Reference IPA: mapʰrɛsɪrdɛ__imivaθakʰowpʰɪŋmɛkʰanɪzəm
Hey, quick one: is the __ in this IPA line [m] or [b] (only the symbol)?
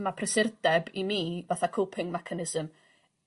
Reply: b